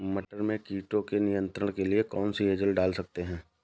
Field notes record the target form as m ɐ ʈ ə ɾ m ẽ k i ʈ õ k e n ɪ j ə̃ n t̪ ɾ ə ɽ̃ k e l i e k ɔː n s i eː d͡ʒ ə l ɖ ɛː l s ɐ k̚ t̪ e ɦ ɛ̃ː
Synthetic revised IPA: m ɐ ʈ ə ɾ m ẽ k iː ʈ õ k e n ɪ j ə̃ n t̪ ɾ ə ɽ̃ k e l i e k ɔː n s i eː d͡ʒ ə l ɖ aː l s ɐ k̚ t̪ e ɦ ɛ̃ː